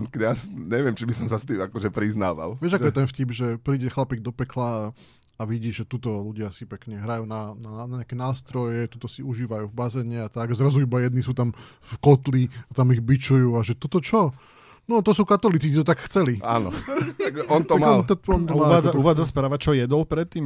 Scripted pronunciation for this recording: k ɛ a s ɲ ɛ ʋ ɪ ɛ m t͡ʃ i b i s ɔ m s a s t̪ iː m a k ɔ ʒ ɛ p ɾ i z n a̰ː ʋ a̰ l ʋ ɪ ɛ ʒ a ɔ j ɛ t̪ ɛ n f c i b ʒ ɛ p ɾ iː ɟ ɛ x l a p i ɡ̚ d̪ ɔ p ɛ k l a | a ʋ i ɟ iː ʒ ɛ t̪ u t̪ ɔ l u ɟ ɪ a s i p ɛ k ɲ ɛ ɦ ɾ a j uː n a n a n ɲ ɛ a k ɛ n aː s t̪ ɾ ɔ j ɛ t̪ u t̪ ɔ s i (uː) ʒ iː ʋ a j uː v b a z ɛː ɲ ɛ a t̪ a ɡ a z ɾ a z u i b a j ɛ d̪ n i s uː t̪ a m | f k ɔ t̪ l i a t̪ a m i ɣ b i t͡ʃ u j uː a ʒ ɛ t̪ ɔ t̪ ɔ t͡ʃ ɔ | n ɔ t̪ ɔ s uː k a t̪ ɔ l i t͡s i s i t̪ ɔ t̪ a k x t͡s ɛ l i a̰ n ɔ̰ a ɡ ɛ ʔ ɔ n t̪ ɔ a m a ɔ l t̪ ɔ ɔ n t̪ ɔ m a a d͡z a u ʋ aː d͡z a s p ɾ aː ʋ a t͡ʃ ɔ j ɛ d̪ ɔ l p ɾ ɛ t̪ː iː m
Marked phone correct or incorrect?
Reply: incorrect